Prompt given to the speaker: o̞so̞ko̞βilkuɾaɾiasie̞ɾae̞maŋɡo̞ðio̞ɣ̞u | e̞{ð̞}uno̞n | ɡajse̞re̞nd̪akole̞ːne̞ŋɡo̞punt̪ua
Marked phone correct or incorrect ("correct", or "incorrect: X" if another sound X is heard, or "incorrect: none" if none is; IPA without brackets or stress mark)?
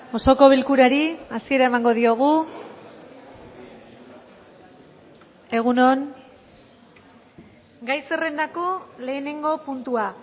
incorrect: ɣ̞